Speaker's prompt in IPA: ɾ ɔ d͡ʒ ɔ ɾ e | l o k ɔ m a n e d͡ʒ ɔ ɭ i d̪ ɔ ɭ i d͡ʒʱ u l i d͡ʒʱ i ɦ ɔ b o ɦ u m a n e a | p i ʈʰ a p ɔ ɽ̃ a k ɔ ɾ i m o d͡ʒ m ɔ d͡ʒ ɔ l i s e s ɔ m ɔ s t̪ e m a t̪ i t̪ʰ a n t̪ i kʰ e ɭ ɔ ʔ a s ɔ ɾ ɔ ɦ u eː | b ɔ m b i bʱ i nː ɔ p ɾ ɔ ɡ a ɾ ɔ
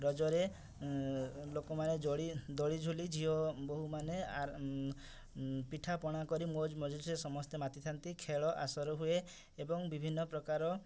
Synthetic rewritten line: ɾ ɔ d͡ʒ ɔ ɾ e | l o k ɔ m a n e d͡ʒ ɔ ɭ i d̪ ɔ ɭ i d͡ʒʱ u l i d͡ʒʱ i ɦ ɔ b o ɦ u m a n e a | p i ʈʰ a p ɔ ɽ̃ a k ɔ ɾ i m o d͡ʒ m ɔ d͡ʒ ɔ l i s e s ɔ m ɔ s t̪ e m a t̪ i t̪ʰ a n t̪ i kʰ e ɭ ɔ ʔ a s ɔ ɾ ɔ ɦ u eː | b ɔ ŋ b i bʱ i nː ɔ p ɾ ɔ k a ɾ ɔ

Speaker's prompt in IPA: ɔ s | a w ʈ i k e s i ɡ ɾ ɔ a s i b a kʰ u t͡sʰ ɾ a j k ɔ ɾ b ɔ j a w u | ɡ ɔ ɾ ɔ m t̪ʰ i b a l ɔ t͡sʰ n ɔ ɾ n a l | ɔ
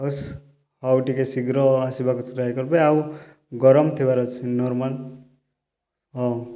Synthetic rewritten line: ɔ s | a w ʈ i k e s i ɡ ɾ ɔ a s i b a k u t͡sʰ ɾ a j k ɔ ɾ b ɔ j a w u | ɡ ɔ ɾ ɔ m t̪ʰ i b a ɾ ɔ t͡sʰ n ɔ ɾ m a l | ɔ

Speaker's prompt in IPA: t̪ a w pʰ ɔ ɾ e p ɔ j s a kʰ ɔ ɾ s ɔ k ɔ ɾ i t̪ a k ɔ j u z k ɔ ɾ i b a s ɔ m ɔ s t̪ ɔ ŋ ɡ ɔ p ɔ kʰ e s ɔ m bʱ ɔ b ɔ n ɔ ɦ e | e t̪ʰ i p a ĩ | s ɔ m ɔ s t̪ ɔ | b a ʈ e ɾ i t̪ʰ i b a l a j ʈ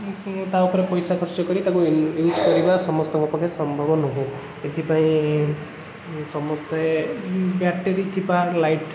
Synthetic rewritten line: t̪ a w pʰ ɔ ɾ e p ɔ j s a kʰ ɔ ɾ s ɔ k ɔ ɾ i t̪ a k u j u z k ɔ ɾ i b a s ɔ m ɔ s t̪ ɔ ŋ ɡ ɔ p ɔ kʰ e s ɔ m bʱ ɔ b ɔ n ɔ ɦ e | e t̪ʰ i p a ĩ | s ɔ m ɔ s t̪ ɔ | b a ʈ e ɾ i t̪ʰ i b a l a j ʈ

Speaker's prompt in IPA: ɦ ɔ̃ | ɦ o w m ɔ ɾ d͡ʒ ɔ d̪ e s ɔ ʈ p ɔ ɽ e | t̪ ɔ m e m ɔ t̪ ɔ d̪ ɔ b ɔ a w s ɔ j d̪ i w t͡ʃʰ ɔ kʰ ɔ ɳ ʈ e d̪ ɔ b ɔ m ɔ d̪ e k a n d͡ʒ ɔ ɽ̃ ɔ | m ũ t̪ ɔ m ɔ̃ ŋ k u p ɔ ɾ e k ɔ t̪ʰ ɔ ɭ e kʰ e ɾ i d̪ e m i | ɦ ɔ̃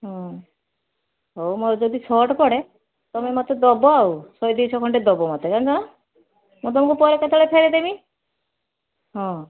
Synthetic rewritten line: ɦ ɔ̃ | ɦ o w m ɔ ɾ d͡ʒ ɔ d̪ i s ɔ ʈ p ɔ ɽ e | t̪ ɔ m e m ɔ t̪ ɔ d̪ ɔ b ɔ a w s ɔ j d̪ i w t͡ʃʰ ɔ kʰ ɔ ɳ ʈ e d̪ ɔ b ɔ m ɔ t̪ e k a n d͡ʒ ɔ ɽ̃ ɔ | m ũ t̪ ɔ m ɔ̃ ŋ k u p ɔ ɾ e k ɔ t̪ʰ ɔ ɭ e pʰ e ɾ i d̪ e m i | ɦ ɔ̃

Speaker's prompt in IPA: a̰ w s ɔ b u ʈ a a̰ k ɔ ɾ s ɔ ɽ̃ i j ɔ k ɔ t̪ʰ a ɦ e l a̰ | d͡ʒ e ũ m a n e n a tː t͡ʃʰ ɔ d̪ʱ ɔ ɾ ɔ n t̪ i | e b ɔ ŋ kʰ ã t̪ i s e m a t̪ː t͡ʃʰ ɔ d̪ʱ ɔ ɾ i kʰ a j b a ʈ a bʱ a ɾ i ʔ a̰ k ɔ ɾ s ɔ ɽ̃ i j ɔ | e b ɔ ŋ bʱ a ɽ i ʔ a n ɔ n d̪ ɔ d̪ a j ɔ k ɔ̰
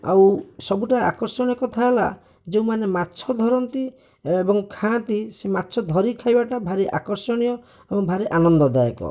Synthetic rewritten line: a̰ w s ɔ b u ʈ a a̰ k ɔ ɾ s ɔ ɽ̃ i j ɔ k ɔ t̪ʰ a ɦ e l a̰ | d͡ʒ e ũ m a n e m a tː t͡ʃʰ ɔ d̪ʱ ɔ ɾ ɔ n t̪ i | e b ɔ ŋ kʰ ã t̪ i s e m a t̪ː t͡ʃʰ ɔ d̪ʱ ɔ ɾ i kʰ a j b a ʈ a bʱ a ɾ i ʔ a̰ k ɔ ɾ s ɔ ɽ̃ i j ɔ | e b ɔ ŋ bʱ a ɾ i ʔ a n ɔ n d̪ ɔ d̪ a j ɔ k ɔ̰

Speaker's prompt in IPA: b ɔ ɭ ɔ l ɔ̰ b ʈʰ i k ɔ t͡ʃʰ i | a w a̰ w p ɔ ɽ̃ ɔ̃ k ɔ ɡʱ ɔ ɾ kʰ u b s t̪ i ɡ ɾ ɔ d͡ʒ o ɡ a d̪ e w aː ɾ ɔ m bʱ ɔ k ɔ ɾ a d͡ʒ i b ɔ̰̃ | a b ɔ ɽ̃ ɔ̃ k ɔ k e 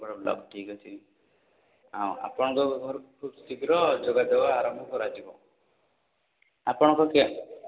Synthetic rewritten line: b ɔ ɽ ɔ l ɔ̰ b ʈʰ i k ɔ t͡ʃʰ i | a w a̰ p ɔ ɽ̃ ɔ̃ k ɔ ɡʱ ɔ ɾ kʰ u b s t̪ i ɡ ɾ ɔ d͡ʒ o ɡ a d̪ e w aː ɾ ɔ m bʱ ɔ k ɔ ɾ a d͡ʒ i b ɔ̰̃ | a p ɔ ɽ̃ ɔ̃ k ɔ k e

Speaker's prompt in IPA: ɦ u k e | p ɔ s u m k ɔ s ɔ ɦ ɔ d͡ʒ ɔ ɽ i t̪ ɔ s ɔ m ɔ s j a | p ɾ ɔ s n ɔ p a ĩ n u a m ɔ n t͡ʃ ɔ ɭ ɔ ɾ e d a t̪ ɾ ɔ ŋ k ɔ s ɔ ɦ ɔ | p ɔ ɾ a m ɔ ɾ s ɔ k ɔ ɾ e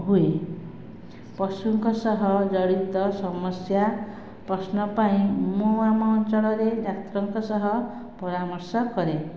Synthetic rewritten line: ɦ u e | p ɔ s u ŋ k ɔ s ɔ ɦ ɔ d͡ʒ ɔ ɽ i t̪ ɔ s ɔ m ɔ s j a | p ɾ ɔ s n ɔ p a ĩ m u a m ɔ n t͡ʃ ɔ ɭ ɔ ɾ e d a t̪ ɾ ɔ ŋ k ɔ s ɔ ɦ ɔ | p ɔ ɾ a m ɔ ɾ s ɔ k ɔ ɾ e

